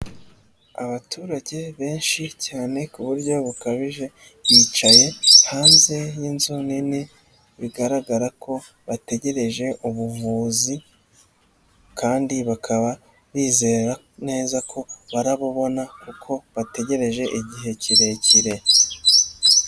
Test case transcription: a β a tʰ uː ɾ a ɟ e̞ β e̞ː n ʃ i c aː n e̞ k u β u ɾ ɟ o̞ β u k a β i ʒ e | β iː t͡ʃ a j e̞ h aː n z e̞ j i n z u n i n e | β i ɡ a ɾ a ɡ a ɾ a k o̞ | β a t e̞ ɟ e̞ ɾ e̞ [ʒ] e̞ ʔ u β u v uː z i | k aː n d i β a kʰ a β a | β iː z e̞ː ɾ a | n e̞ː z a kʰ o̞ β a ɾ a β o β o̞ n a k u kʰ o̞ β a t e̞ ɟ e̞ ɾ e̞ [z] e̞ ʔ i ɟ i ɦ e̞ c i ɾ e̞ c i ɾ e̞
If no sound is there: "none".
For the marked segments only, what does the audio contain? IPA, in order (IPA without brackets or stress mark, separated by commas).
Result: ʒ, ʒ